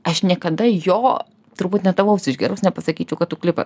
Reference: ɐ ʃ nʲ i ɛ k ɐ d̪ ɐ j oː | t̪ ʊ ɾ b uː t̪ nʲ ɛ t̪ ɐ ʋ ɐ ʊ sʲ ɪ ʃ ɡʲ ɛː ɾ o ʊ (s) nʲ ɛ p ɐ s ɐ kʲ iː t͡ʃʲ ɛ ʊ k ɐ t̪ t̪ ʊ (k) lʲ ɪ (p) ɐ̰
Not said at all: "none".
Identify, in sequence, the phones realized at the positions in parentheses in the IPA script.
s, k, p

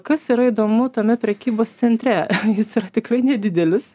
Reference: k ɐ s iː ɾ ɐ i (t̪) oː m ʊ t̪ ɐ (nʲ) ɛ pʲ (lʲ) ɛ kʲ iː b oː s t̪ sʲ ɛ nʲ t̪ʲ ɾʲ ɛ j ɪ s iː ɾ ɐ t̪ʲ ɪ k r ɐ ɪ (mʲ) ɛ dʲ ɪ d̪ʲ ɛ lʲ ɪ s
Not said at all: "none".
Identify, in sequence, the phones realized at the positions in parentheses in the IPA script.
d̪, mʲ, ɾʲ, nʲ

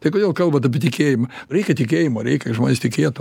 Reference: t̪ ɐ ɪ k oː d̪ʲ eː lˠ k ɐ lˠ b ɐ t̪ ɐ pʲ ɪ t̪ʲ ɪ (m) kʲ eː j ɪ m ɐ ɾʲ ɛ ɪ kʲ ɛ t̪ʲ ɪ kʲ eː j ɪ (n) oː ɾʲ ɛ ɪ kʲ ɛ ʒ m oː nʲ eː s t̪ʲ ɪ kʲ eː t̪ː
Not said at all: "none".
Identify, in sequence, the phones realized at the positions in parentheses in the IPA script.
none, m

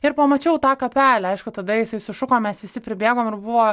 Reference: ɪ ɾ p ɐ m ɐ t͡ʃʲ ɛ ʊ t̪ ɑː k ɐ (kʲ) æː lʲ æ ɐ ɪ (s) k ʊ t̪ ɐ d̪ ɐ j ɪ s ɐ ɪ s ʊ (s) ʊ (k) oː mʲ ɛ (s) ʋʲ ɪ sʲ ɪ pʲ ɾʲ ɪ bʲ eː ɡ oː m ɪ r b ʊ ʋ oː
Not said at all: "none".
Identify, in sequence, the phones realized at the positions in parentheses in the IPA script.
pʲ, ʃ, ʃ, k, s

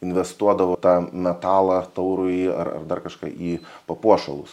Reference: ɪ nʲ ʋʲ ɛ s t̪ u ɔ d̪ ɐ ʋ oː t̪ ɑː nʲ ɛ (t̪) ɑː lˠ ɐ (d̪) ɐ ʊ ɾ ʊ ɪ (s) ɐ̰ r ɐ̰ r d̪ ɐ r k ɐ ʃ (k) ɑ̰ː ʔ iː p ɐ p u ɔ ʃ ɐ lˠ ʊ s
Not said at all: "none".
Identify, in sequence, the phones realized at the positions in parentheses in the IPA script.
t̪, t̪, none, k

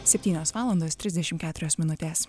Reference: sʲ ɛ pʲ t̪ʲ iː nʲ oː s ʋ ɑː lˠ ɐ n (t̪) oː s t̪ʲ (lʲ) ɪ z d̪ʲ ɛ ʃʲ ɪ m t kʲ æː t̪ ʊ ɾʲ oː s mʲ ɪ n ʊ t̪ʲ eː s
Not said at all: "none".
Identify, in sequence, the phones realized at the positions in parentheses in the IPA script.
d̪, ɾʲ

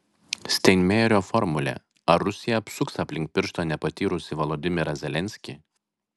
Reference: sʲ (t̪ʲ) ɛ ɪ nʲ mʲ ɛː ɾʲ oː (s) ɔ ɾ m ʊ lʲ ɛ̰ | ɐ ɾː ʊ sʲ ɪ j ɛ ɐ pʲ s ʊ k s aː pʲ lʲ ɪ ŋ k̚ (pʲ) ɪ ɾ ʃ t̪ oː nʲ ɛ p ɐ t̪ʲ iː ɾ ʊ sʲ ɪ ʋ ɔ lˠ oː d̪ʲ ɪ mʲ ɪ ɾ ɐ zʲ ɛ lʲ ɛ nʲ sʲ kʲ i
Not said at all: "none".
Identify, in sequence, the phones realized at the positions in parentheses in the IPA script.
t̪ʲ, f, pʲ

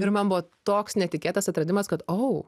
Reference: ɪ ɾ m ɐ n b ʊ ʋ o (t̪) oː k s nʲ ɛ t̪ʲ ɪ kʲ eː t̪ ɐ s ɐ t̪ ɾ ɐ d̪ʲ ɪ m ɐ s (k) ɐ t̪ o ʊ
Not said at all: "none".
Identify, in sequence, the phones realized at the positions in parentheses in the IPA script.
t̪, k

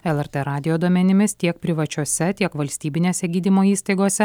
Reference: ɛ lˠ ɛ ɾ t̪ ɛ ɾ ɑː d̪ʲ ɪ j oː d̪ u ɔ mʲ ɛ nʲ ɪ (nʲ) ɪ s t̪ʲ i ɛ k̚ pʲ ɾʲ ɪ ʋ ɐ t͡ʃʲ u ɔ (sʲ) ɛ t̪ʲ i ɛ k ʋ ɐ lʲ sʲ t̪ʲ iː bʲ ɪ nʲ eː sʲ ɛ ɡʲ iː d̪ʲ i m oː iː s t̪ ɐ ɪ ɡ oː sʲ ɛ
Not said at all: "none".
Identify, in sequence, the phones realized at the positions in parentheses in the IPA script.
mʲ, sʲ

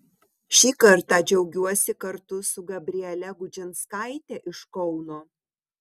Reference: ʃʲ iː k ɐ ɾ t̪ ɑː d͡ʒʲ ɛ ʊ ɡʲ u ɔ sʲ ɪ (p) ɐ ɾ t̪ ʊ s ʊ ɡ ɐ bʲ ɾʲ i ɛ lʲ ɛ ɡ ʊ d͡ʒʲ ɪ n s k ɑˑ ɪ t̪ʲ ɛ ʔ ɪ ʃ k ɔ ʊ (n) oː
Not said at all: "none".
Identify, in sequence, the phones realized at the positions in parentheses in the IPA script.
k, n

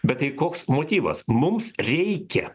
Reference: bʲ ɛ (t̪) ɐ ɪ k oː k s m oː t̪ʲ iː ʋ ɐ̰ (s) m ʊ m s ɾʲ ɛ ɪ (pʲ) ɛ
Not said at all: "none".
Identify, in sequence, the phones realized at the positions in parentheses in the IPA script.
t̪, s, kʲ

